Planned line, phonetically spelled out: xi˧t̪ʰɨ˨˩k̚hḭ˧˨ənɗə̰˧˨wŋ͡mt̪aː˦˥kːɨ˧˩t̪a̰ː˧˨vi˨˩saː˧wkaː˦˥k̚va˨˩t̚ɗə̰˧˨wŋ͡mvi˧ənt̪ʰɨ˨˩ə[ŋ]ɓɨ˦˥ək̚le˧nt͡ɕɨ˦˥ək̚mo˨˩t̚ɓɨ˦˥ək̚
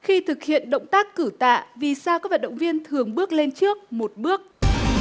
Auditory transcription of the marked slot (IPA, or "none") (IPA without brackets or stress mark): ŋ